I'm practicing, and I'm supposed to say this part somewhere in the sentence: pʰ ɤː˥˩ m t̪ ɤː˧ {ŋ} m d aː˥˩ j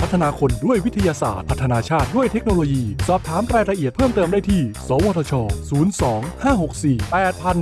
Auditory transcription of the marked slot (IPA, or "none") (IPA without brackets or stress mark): none